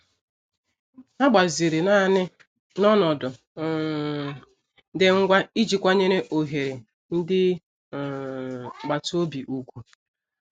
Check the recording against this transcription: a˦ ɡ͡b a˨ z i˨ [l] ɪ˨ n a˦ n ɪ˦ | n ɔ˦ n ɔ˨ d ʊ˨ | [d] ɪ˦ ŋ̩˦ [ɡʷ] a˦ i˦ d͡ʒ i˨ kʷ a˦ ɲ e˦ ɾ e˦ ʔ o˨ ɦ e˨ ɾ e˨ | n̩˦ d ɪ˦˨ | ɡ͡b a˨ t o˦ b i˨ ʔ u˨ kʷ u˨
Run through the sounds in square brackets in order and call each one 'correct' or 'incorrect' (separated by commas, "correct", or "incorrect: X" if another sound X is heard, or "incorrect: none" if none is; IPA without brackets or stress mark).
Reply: incorrect: ɾ, correct, correct